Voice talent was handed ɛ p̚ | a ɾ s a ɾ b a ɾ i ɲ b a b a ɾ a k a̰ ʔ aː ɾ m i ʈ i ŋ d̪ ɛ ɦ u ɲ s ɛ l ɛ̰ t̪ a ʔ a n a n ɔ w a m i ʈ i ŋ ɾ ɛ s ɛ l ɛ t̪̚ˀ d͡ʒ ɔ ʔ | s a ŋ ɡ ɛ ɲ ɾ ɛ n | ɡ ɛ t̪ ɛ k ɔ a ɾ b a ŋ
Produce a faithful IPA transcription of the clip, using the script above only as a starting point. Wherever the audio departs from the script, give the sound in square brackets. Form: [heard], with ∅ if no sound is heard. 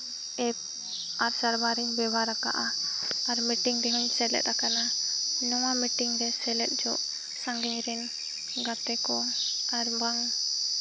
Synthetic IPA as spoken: ɛ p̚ | a ɾ s a ɾ b a ɾ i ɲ b [ɛ] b a ɾ a k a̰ ʔ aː ɾ m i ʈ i ŋ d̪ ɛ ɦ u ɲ s ɛ l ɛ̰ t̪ a [k] a n a n ɔ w a m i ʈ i ŋ ɾ ɛ s ɛ l ɛ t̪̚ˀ d͡ʒ ɔ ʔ | s a ŋ ɡ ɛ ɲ ɾ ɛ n | ɡ [a] t̪ ɛ k ɔ a ɾ b a ŋ

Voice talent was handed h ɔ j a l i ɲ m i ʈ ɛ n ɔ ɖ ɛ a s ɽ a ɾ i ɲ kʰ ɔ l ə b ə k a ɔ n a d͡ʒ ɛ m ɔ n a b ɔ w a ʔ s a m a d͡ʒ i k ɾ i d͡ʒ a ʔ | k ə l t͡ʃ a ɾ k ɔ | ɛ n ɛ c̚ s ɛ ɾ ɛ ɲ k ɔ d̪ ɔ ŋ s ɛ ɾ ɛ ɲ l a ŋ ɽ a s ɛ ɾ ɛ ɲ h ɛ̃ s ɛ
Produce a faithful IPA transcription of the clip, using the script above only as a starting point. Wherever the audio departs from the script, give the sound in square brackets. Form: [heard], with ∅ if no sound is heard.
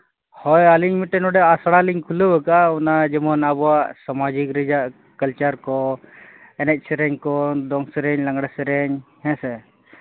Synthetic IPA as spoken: h ɔ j a l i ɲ m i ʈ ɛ n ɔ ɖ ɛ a s ɽ a [l] i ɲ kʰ [u] l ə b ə k a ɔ n a d͡ʒ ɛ m ɔ n a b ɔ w a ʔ s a m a d͡ʒ i k ɾ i d͡ʒ a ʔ | k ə l t͡ʃ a ɾ k ɔ | ɛ n ɛ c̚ s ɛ ɾ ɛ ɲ k ɔ d̪ ɔ ŋ s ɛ ɾ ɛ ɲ l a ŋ ɽ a s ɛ ɾ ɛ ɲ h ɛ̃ s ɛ

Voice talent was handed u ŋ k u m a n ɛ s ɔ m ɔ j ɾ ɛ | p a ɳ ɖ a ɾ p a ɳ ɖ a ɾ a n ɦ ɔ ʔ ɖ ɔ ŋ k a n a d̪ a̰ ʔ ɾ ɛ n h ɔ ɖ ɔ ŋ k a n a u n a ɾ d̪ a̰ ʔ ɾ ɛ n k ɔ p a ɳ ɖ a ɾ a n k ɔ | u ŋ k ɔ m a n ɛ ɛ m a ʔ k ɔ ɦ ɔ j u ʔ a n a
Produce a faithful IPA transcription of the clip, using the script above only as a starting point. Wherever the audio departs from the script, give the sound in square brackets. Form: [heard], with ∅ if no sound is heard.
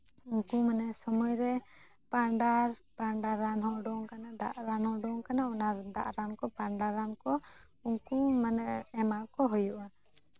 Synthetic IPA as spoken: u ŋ k u m a n ɛ s ɔ m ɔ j ɾ ɛ | p a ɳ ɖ a ɾ p a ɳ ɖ a ɾ a n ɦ ɔ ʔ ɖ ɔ ŋ k a n a d̪ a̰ ʔ ɾ [a] n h ɔ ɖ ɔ ŋ k a n a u n a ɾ d̪ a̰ ʔ ɾ [a] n k ɔ p a ɳ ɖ a ɾ a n k ɔ | u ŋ k [u] m a n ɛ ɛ m a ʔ k ɔ ɦ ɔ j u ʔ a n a

